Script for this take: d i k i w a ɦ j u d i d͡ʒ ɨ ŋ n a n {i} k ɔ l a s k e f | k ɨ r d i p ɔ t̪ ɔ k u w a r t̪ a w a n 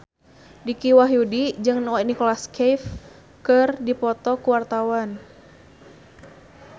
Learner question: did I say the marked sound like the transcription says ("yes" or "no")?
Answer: yes